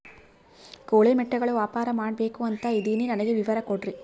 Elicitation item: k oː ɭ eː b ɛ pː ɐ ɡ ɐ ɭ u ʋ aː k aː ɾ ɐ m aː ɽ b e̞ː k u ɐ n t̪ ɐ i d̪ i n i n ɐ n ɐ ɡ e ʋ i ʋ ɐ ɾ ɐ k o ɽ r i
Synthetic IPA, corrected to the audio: k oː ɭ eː m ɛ ʈː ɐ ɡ ɐ ɭ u ʋ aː p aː ɾ ɐ m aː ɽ b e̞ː k u ɐ n t̪ ɐ i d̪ i n i n ɐ n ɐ ɡ e ʋ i ʋ ɐ ɾ ɐ k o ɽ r i